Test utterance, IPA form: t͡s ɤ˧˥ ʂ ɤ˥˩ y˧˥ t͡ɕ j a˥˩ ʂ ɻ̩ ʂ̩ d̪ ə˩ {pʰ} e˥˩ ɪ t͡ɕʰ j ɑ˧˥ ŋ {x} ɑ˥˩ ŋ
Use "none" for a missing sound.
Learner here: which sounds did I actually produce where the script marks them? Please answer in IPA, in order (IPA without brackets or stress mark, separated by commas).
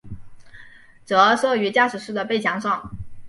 p, ʂ